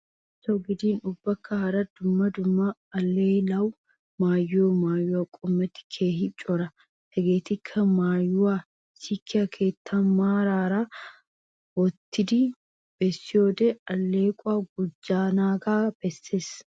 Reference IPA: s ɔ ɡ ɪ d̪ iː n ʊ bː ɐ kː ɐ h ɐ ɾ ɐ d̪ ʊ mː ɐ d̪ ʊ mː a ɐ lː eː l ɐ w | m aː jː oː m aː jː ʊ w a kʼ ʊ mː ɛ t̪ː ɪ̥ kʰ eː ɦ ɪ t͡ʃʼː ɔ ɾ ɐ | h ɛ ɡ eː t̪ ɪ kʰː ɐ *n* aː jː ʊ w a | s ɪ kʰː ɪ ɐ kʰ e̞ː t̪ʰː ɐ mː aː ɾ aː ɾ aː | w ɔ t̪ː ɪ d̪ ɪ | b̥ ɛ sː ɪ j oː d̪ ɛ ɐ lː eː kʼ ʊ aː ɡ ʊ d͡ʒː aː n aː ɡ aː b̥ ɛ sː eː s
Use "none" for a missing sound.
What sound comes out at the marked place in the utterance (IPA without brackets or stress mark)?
m